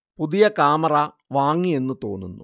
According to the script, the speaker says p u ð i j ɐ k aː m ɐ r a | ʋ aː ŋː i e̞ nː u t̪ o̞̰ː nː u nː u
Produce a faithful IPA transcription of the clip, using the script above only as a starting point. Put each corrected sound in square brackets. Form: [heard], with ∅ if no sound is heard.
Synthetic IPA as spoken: p u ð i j ɐ k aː m ɐ r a | ʋ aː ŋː i e̞ nː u t̪ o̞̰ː nː u nː u